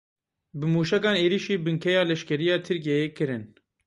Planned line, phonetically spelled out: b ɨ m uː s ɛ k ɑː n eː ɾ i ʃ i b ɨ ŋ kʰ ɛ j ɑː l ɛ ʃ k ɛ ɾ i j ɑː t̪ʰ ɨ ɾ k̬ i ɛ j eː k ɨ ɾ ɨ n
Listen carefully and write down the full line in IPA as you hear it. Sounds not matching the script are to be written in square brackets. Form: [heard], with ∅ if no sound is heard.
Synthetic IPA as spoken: b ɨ m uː [ʃ] ɛ k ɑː n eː ɾ i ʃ [iː] b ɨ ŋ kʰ ɛ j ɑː l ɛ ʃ k ɛ ɾ i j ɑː t̪ʰ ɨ ɾ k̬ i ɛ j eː k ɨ ɾ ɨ n